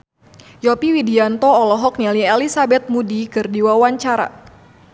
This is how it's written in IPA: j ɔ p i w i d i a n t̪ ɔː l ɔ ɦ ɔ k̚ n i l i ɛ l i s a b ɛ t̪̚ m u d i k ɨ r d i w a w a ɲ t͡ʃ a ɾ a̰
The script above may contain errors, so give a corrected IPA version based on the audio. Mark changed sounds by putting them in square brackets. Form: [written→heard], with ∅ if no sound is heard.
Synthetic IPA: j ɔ p i w i d i a n t̪ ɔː l ɔ ɦ ɔ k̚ n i l i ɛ l i s a b ɛ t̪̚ m u d i k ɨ r d i w a w a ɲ t͡ʃ a ɾ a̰